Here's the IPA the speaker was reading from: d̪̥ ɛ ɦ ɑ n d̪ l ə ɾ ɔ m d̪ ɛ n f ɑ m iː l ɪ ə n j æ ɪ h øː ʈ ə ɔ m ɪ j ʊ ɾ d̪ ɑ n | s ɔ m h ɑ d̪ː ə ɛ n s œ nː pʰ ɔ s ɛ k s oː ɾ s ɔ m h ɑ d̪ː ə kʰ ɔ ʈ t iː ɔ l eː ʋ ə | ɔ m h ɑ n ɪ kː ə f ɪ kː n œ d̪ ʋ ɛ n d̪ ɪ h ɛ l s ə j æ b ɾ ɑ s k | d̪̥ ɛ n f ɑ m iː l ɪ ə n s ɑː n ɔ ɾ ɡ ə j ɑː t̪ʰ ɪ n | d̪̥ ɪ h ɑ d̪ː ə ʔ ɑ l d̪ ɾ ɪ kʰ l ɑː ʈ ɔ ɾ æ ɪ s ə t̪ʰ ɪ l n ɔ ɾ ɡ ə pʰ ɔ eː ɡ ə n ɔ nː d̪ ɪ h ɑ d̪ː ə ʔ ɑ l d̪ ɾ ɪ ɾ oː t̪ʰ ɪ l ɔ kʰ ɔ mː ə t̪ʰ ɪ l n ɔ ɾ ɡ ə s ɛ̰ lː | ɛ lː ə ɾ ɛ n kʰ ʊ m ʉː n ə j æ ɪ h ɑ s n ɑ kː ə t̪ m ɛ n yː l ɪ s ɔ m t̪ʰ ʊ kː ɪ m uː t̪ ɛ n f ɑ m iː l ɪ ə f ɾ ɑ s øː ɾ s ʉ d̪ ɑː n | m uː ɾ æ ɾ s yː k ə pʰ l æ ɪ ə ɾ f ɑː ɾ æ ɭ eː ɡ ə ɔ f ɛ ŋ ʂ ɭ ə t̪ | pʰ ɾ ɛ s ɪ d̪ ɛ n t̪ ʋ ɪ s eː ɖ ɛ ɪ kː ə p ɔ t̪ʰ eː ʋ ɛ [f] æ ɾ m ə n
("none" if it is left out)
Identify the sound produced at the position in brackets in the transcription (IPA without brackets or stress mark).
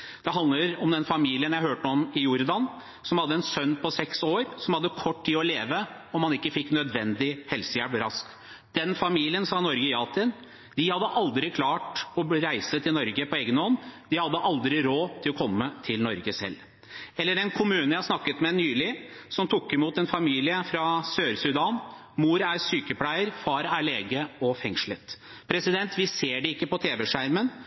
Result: ʂ